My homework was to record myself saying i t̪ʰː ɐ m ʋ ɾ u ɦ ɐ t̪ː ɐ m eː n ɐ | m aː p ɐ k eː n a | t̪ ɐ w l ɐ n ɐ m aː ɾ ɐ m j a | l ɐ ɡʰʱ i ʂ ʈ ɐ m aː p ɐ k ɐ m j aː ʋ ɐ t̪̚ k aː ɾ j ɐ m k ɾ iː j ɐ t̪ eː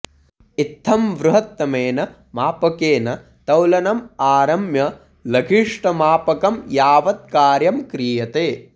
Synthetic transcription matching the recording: i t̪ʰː ɐ m ʋ ɾ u ɦ ɐ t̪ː ɐ m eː n ɐ | m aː p ɐ k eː n ɐ | t̪ ɐ w l ɐ n ɐ m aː ɾ ɐ m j ɐ | l ɐ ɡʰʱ i ʂ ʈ ɐ m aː p ɐ k ɐ m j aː ʋ ɐ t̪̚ k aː ɾ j ɐ m k ɾ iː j ɐ t̪ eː

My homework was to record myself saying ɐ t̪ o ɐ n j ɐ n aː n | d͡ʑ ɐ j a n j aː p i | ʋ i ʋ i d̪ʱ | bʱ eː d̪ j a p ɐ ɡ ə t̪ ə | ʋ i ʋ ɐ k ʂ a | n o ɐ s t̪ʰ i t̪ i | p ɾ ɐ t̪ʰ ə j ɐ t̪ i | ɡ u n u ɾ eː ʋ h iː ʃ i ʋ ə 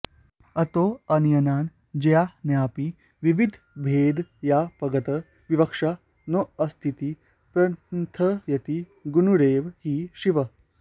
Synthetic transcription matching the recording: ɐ t̪ o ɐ n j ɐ n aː n | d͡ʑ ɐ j a n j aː p i | ʋ i ʋ i d̪ʱ | bʱ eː d̪ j a p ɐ ɡ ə t̪ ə | ʋ i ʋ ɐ k ʂ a | n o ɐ s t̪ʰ i t̪ i | p ɾ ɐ t̪ʰ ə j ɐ t̪ i | ɡ u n u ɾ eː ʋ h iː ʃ i ʋ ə

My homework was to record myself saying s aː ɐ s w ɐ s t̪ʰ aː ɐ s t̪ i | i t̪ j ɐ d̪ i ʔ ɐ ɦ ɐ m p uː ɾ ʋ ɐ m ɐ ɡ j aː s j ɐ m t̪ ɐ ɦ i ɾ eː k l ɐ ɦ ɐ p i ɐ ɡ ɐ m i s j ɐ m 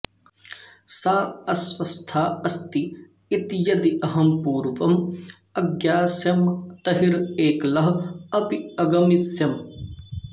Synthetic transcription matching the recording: s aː ɐ s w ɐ s t̪ʰ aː ɐ s t̪ i | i t̪ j ɐ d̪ i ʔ ɐ ɦ ɐ m p uː ɾ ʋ ɐ m ɐ ɡ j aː s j ɐ m t̪ ɐ ɦ i ɾ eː k l ɐ ɦ ɐ p i ɐ ɡ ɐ m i s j ɐ m

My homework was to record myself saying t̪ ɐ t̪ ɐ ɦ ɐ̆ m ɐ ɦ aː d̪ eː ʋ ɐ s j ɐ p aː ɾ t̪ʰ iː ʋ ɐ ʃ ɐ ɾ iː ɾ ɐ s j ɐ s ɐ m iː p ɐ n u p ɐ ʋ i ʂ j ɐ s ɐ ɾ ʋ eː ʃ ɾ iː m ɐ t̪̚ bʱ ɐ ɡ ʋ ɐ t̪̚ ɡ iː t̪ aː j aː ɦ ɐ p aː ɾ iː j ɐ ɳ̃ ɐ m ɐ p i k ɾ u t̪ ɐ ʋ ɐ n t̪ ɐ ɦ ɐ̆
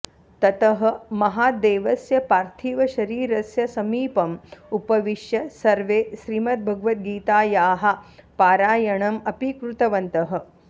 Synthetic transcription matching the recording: t̪ ɐ t̪ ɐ ɦ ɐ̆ m ɐ ɦ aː d̪ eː ʋ ɐ s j ɐ p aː ɾ t̪ʰ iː ʋ ɐ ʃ ɐ ɾ iː ɾ ɐ s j ɐ s ɐ m iː p ɐ m u p ɐ ʋ i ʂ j ɐ s ɐ ɾ ʋ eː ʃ ɾ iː m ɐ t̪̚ bʱ ɐ ɡ ʋ ɐ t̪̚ ɡ iː t̪ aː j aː ɦ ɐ p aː ɾ aː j ɐ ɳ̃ ɐ m ɐ p i k ɾ u t̪ ɐ ʋ ɐ n t̪ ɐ ɦ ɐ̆

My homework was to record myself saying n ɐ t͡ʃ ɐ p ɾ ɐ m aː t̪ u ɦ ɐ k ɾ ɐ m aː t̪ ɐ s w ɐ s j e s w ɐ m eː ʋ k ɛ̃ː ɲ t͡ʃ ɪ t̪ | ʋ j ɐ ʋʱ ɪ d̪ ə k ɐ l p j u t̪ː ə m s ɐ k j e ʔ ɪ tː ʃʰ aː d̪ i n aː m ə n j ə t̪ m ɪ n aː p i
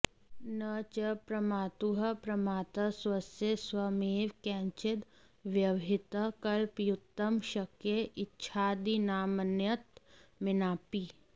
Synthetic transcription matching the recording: n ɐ t͡ʃ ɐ p ɾ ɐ m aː t̪ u ɦ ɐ p ɾ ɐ m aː t̪ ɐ s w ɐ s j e s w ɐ m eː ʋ k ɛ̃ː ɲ t͡ʃ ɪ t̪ | ʋ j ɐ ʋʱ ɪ t̪ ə k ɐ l p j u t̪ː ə m ʃ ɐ k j e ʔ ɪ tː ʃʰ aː d̪ i n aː m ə n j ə t̪ m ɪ n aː p i

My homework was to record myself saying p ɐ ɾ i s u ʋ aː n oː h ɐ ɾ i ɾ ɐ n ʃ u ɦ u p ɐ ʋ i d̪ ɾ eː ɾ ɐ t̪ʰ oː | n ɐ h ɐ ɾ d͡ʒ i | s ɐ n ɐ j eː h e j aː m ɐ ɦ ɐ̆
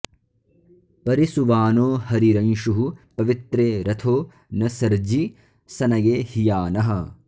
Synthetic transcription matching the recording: p ɐ ɾ i s u ʋ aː n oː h ɐ ɾ i ɾ ɐ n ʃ u ɦ u p ɐ ʋ i t̪ ɾ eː ɾ ɐ t̪ʰ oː | n ɐ s ɐ ɾ d͡ʒ i | s ɐ n ɐ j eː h i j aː n ɐ ɦ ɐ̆

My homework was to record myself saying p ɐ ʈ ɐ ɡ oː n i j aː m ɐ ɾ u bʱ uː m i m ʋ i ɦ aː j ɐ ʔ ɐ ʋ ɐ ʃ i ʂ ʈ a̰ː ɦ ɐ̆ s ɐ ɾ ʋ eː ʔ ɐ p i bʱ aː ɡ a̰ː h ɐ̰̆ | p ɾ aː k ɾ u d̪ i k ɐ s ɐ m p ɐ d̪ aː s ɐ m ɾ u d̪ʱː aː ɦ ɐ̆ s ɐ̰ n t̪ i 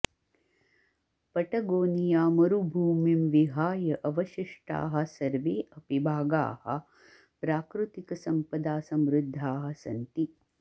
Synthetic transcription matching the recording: p ɐ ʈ ɐ ɡ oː n i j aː m ɐ ɾ u bʱ uː m i m ʋ i ɦ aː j ɐ ʔ ɐ ʋ ɐ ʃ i ʂ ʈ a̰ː ɦ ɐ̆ s ɐ ɾ ʋ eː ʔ ɐ p i bʱ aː ɡ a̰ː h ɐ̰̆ | p ɾ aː k ɾ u t̪ i k ɐ s ɐ m p ɐ d̪ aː s ɐ m ɾ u d̪ʱː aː ɦ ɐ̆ s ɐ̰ n t̪ i

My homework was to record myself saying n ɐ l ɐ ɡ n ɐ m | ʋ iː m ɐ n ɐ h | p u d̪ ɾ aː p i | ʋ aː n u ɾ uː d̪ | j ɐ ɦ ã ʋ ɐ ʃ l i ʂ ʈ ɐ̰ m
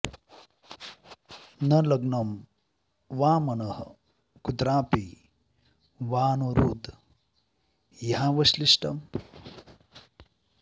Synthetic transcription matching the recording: n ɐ l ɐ ɡ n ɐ m | ʋ aː m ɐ n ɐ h | k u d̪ ɾ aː p i | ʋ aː n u ɾ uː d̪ | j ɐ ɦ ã ʋ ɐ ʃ l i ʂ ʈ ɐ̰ m

